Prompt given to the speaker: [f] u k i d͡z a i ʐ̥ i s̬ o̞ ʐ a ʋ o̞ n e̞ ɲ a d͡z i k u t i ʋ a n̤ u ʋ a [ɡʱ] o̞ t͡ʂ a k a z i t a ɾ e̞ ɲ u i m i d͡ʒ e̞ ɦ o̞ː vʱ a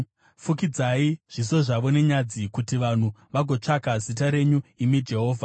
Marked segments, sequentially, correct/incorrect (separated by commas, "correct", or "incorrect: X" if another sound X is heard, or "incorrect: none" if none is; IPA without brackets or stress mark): correct, correct